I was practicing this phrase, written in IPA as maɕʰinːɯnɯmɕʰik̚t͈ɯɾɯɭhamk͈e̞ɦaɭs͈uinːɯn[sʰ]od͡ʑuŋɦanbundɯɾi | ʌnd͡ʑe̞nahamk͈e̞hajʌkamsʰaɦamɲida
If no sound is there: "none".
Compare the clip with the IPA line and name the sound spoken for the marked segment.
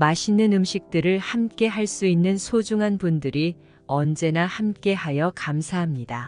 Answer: sʰ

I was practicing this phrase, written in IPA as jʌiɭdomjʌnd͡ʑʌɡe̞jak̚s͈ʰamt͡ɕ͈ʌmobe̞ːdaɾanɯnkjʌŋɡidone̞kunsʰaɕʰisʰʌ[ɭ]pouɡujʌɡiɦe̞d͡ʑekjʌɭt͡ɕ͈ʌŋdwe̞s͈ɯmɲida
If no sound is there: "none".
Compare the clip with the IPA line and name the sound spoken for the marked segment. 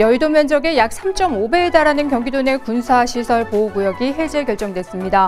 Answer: ɭ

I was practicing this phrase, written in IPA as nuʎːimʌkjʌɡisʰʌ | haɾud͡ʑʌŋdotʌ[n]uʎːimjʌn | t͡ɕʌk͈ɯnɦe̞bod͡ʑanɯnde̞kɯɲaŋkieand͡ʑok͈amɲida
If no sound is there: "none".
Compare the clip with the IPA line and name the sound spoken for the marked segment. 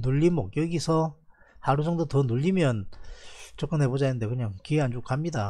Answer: n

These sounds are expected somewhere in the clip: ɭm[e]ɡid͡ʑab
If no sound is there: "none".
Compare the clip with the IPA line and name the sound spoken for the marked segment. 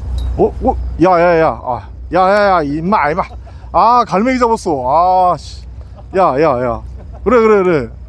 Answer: e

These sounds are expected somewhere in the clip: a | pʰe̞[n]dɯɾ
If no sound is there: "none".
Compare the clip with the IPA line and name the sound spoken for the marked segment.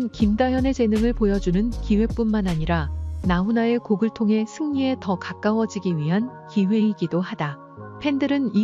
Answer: n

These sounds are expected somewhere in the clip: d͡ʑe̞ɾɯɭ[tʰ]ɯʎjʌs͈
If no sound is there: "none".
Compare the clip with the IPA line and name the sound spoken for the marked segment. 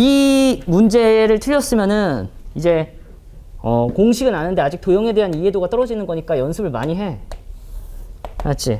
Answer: tʰ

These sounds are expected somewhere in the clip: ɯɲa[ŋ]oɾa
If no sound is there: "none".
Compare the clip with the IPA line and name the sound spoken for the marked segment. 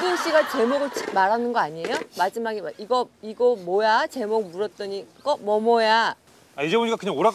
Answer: ŋ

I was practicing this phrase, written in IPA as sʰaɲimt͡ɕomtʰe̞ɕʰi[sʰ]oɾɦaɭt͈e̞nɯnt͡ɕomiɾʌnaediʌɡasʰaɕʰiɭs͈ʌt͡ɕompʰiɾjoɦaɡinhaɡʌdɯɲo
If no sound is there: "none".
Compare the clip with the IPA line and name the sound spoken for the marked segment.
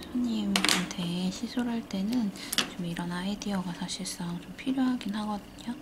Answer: sʰ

